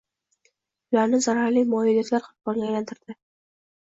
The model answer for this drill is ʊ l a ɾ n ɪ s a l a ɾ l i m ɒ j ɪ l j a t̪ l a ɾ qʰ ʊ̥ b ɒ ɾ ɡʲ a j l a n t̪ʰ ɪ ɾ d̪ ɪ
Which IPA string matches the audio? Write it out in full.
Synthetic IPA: ʊ l a ɾ n ɪ z a ɾ a ɾ l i m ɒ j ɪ l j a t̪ l a ɾ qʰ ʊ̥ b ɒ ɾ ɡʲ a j l a n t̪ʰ ɪ ɾ d̪ ɪ